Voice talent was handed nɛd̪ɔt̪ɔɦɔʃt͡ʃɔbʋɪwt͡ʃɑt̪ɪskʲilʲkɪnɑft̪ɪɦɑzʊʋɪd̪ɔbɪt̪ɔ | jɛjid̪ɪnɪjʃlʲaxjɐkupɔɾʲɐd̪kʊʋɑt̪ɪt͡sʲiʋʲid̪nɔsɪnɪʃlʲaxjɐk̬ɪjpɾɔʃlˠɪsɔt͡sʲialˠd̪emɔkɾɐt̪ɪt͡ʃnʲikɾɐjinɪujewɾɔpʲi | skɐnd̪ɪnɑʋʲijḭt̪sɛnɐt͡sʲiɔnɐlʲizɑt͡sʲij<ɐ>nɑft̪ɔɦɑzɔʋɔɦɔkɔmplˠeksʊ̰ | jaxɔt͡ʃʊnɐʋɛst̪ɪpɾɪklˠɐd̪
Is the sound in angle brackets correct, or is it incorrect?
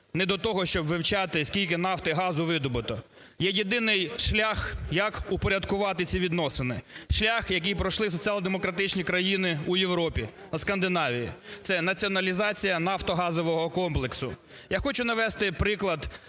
correct